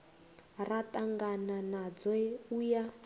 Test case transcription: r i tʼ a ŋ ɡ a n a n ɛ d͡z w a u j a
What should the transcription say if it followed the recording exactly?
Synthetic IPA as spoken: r a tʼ a ŋ ɡ a n a n a d͡z w ɛ u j a

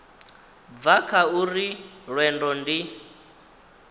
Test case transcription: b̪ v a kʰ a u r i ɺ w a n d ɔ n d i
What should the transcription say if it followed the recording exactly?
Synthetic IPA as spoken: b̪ v a kʰ a u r i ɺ w ɛ n d ɔ n d i

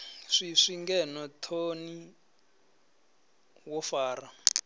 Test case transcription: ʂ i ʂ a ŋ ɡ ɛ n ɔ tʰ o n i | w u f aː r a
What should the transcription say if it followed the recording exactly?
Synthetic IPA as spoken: ʂ i ʂ i ŋ ɡ ɛ n ɔ tʰ o n i | w ɔ f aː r a

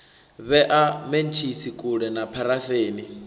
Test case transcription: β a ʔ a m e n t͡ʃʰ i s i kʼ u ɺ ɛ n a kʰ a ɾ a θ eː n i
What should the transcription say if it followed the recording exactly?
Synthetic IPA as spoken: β ɛ ʔ a m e n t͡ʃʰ i s i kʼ u ɺ ɛ n a pʰ a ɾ a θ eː n i

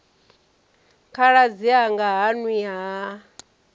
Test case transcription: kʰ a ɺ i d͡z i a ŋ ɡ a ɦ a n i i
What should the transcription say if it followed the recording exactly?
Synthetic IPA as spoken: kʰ a ɺ a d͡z i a ŋ ɡ a ɦ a n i a

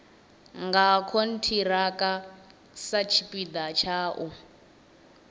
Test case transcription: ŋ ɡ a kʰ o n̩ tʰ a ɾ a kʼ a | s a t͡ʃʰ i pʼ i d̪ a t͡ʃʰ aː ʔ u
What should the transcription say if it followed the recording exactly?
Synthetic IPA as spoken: ŋ ɡ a kʰ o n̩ tʰ i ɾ a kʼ a | s a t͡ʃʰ i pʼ i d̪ a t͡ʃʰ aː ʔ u

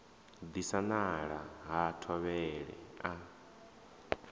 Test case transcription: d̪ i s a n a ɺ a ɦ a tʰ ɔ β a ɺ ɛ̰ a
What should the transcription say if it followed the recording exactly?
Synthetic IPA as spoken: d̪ i s a n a ɺ a ɦ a tʰ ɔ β ɛ ɺ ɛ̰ a

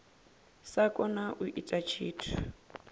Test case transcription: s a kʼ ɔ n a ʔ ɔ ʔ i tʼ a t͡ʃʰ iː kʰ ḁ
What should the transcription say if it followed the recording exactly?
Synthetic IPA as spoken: s a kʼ ɔ n a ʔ u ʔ i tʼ a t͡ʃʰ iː tʰ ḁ

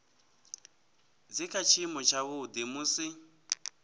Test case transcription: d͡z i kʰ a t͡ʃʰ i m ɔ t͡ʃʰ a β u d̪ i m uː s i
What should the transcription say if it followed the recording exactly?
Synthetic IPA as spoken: d͡z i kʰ a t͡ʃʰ i m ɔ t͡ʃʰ a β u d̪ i m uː s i

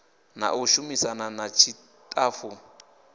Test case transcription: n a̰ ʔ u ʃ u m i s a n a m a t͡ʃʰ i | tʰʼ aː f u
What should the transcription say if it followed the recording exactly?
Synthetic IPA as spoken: n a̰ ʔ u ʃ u m i s a n a n a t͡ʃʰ i | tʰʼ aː f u

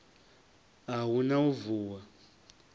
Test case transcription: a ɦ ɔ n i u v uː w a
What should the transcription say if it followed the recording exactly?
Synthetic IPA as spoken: a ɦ u n a u v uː w a

